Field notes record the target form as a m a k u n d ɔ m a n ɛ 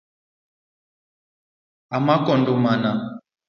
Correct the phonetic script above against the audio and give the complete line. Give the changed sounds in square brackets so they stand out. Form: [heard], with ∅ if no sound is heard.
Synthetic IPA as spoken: a m a k [ɔ] n d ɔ m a n [a]